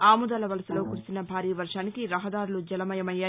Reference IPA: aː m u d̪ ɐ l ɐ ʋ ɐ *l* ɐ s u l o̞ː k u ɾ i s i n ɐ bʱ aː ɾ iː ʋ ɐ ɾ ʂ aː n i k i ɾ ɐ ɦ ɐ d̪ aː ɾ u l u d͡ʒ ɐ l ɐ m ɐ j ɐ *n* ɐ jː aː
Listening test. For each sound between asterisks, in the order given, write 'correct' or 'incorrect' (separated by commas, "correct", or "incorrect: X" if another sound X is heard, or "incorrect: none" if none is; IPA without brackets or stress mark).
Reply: correct, incorrect: m